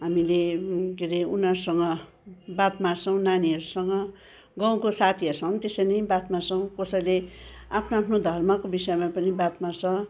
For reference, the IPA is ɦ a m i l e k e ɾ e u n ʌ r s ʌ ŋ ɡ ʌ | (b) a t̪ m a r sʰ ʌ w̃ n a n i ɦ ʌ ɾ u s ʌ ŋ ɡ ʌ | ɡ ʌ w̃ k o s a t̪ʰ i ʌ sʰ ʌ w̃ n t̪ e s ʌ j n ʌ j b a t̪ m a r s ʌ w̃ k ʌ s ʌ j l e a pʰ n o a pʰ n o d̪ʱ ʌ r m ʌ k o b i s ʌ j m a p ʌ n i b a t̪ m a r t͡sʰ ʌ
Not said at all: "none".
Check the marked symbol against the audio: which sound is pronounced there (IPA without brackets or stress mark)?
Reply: b